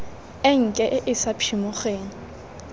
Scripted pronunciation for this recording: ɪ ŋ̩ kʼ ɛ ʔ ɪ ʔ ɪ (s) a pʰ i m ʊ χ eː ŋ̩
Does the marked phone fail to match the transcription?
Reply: no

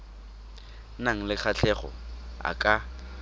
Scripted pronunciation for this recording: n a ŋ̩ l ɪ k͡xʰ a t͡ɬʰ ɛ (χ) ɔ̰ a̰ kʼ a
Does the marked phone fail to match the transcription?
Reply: no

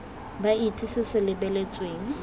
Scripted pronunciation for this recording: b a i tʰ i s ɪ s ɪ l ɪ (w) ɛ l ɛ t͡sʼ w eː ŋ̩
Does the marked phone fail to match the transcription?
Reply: yes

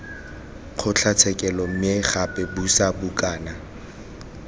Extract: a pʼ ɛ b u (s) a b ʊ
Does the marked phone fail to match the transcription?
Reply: no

